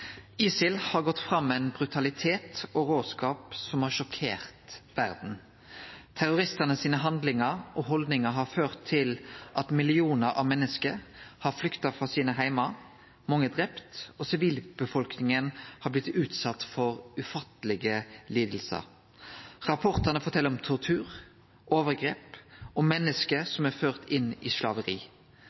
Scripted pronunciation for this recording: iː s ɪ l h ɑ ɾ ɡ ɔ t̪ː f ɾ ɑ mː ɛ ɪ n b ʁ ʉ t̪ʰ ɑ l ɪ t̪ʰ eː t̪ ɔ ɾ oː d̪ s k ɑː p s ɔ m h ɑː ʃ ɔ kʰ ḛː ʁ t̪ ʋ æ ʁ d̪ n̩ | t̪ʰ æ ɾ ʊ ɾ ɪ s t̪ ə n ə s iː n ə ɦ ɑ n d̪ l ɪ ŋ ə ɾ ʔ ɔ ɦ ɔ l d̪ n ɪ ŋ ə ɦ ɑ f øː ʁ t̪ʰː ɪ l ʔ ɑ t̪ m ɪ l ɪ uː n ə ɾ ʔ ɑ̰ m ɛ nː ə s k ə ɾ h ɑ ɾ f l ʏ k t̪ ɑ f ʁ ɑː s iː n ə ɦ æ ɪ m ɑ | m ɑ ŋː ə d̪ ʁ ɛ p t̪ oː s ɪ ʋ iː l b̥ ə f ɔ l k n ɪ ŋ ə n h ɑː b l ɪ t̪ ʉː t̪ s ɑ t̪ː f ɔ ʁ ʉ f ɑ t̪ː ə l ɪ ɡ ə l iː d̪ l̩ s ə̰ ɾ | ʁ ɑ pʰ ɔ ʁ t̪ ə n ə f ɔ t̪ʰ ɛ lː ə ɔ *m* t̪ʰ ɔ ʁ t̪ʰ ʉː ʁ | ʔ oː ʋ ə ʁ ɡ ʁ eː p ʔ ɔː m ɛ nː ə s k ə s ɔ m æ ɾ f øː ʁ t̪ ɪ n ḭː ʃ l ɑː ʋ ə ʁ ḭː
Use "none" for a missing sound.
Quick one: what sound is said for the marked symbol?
m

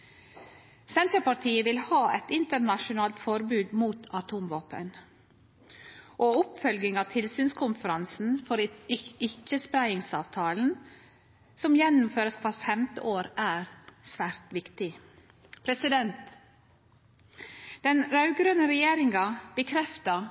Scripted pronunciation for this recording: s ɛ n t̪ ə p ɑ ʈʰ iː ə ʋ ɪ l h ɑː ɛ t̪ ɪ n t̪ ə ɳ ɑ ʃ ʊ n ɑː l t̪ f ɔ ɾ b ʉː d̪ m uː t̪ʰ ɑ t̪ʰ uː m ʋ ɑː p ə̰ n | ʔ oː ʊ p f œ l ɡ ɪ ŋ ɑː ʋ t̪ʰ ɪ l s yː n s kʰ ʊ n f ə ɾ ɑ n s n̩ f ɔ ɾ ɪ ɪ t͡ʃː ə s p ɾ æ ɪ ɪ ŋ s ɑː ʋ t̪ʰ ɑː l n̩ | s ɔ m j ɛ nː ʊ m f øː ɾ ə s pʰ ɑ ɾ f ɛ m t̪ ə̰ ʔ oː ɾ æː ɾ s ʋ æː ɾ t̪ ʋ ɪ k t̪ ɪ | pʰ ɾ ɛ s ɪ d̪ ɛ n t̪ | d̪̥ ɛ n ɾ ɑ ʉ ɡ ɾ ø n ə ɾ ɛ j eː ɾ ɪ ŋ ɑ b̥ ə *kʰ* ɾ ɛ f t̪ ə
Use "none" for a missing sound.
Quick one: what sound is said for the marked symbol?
kʰ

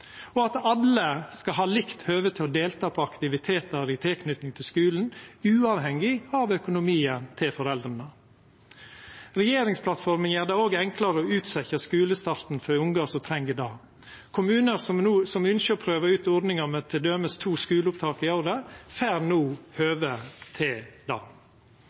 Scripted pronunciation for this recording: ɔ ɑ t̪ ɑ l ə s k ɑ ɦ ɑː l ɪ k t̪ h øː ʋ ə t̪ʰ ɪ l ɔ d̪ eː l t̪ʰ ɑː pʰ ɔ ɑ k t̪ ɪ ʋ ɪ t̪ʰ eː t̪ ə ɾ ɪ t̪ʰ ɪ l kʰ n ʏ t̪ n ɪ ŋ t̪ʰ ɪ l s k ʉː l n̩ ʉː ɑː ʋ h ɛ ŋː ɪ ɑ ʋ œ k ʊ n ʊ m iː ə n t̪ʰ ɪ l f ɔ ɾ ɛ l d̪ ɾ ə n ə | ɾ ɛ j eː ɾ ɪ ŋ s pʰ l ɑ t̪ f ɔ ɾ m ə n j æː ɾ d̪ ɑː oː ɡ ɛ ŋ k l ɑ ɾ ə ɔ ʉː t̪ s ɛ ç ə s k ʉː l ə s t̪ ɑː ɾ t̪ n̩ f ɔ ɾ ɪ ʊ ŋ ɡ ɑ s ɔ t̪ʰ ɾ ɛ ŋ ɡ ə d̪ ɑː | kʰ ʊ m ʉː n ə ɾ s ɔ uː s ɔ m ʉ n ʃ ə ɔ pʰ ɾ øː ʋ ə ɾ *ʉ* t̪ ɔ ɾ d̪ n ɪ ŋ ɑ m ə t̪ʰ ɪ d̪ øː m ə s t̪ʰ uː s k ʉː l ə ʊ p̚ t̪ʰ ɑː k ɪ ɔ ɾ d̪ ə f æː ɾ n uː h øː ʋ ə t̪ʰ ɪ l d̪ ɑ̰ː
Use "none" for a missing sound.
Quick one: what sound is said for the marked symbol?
ʉː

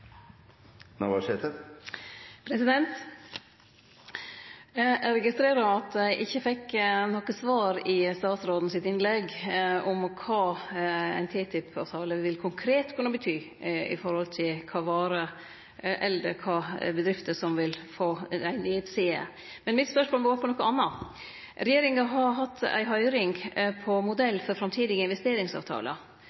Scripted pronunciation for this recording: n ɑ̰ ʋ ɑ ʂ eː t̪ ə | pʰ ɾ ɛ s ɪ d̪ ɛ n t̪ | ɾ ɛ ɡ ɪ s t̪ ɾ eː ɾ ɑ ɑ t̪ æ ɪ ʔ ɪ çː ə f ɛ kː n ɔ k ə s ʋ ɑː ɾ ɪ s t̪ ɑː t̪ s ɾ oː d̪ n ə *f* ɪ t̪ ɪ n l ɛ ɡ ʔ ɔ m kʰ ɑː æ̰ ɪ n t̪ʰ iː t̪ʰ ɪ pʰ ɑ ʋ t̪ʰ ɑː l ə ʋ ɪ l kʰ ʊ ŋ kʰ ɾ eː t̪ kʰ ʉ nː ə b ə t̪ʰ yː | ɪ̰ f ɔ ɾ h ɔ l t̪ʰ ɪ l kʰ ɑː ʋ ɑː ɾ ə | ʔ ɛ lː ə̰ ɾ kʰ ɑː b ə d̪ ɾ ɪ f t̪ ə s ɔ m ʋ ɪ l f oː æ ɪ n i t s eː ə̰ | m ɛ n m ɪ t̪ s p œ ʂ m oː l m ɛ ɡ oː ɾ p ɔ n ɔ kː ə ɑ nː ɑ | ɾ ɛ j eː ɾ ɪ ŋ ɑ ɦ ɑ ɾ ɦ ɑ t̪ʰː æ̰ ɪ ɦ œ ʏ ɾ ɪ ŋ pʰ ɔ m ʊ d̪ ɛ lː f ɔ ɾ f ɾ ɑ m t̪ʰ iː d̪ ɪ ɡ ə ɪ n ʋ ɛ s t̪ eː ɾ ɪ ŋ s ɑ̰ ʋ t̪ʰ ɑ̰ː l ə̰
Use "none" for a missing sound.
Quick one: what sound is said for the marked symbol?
s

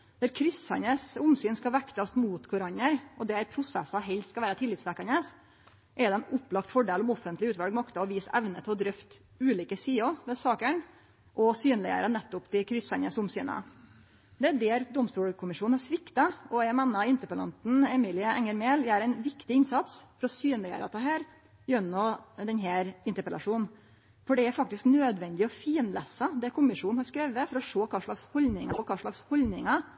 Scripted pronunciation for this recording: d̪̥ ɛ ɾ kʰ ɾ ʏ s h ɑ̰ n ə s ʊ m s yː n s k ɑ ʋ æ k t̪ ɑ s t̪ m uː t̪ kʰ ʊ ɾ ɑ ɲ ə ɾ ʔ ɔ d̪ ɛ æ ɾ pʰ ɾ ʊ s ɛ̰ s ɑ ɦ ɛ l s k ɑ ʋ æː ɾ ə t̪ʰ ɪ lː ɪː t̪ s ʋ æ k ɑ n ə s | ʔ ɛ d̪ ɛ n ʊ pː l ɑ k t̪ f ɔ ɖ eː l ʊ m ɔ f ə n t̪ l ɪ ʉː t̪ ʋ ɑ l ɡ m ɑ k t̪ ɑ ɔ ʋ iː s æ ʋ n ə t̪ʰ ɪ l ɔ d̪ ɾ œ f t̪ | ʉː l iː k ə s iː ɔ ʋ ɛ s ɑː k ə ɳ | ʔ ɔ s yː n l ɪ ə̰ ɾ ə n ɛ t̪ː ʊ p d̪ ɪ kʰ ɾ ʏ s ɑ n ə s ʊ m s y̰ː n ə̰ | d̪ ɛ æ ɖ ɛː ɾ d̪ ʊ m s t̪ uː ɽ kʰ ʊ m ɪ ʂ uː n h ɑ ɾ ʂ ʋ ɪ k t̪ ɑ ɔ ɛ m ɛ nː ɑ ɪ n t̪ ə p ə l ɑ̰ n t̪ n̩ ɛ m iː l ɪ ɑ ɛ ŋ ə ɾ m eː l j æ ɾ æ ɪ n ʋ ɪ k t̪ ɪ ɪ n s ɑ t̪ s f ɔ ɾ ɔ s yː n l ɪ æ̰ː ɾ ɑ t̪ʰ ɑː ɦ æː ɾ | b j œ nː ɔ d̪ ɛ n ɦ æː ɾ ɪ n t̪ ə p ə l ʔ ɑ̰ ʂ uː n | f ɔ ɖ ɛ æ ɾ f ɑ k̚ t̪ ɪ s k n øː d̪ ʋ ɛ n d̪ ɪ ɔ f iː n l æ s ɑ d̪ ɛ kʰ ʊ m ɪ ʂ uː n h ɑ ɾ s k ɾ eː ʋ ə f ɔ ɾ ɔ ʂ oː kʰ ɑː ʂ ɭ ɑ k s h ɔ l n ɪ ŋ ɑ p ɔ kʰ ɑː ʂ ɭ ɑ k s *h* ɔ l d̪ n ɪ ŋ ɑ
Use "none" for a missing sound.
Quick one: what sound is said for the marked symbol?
h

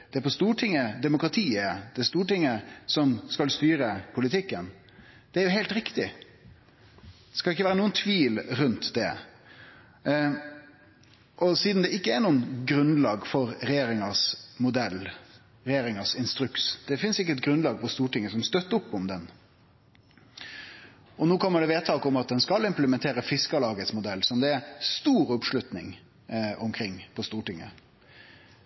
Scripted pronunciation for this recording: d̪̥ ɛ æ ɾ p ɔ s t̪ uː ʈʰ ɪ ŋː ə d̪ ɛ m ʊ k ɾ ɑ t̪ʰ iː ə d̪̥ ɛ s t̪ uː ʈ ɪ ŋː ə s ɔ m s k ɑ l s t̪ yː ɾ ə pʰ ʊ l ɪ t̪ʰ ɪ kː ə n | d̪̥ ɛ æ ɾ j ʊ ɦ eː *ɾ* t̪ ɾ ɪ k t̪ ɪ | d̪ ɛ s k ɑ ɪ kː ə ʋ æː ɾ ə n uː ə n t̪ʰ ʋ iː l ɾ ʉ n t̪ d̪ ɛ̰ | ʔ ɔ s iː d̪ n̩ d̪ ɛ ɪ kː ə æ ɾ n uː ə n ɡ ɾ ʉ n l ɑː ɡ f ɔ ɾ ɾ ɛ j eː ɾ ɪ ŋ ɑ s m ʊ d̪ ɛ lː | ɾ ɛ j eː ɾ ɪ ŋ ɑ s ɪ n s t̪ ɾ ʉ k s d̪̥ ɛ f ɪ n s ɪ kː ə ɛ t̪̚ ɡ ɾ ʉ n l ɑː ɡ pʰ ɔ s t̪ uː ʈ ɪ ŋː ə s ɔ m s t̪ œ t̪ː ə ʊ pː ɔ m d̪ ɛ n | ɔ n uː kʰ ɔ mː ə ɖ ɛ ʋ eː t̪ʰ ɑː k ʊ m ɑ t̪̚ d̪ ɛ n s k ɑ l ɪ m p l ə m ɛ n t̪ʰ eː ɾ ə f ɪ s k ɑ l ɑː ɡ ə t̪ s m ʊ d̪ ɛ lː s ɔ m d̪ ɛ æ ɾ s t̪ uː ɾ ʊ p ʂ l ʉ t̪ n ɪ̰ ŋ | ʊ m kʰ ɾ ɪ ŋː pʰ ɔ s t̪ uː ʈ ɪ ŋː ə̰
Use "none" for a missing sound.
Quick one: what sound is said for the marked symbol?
l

